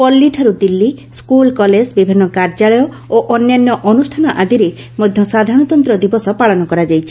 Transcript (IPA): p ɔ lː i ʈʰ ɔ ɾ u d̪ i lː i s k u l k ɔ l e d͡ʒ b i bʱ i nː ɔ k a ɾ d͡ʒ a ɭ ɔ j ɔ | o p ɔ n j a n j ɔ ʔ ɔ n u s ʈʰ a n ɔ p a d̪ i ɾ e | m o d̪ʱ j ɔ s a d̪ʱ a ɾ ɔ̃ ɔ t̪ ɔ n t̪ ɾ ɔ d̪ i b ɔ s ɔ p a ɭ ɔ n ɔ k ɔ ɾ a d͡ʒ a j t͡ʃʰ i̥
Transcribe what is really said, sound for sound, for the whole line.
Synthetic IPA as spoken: p ɔ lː i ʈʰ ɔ ɾ u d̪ i lː i s k u l k ɔ l e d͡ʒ b i bʱ i nː ɔ k a ɾ d͡ʒ a ɭ ɔ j ɔ | o ʔ ɔ n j a n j ɔ ʔ ɔ n u s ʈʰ a n ɔ ʔ a d̪ i ɾ e | m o d̪ʱ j ɔ s a d̪ʱ a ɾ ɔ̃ ɔ t̪ ɔ n t̪ ɾ ɔ d̪ i b ɔ s ɔ p a ɭ ɔ n ɔ k ɔ ɾ a d͡ʒ a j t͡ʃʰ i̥